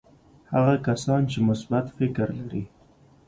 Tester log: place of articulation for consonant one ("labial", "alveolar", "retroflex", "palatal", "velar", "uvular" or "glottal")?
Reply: glottal